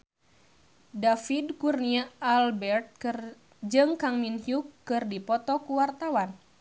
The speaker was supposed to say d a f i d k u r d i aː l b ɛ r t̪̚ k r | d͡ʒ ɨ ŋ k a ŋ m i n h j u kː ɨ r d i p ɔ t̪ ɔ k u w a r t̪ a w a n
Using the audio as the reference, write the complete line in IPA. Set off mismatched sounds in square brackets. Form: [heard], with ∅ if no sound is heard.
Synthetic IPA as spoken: d a f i d k u r [n] i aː l b ɛ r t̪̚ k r | d͡ʒ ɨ ŋ k a ŋ m i n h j u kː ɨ r d i p ɔ t̪ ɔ k u w a r t̪ a w a n